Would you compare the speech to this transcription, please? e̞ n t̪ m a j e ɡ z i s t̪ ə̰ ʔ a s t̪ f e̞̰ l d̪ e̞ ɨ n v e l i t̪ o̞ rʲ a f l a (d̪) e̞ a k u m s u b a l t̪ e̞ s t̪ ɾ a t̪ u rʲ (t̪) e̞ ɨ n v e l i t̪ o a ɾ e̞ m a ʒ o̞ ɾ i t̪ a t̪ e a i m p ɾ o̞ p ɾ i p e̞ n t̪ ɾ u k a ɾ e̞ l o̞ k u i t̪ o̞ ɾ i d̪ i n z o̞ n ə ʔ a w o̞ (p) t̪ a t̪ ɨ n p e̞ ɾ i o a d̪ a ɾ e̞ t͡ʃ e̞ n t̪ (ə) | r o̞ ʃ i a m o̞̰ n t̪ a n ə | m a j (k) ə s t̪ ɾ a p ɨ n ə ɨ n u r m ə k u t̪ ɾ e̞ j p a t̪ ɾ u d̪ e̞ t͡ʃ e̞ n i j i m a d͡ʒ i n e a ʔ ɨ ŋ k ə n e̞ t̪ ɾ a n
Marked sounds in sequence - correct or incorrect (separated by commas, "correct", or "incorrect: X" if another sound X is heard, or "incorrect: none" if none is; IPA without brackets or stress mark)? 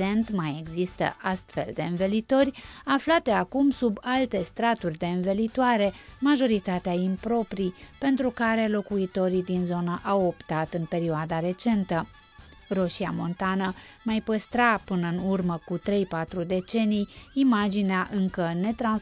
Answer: incorrect: t̪, incorrect: d̪, correct, correct, incorrect: p